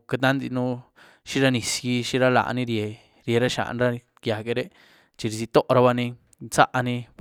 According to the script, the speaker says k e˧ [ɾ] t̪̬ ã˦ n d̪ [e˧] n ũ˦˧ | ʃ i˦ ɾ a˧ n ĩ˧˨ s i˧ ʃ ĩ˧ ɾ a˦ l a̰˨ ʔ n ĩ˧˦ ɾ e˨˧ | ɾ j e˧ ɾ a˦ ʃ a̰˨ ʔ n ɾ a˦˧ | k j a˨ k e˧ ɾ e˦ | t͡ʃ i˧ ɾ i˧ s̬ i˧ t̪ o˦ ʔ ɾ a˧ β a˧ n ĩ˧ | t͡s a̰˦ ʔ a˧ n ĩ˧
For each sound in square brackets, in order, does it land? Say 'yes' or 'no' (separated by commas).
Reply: no, no